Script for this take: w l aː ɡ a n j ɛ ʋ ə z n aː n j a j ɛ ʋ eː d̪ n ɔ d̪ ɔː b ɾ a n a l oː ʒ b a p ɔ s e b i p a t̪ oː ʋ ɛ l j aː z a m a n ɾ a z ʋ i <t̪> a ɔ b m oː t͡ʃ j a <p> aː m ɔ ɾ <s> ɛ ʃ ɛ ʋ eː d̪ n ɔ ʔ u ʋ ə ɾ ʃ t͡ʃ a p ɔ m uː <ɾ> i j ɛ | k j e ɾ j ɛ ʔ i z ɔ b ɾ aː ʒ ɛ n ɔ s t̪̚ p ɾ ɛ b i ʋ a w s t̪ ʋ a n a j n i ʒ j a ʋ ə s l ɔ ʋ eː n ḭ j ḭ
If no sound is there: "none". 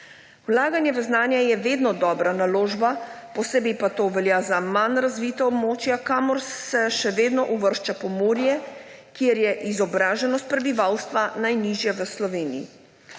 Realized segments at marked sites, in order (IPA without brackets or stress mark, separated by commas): t̪, k, s, ɾ